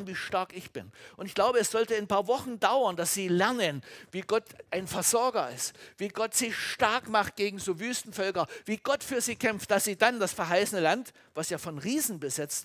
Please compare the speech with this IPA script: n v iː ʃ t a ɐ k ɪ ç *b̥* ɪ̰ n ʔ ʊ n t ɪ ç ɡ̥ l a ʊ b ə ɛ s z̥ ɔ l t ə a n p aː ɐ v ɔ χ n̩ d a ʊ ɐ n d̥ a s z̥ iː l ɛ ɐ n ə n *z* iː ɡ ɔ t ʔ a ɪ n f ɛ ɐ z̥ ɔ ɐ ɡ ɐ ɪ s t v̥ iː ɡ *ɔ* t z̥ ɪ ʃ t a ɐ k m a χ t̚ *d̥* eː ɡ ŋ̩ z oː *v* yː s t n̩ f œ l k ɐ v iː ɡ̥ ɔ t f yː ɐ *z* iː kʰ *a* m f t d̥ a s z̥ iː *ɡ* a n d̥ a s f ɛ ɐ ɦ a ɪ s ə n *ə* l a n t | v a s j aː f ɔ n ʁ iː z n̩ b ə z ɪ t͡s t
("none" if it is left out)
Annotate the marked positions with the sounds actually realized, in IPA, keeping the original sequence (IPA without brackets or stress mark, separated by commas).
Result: b̥, v, ɔ, ɡ̥, v, z, ɛ, d, ə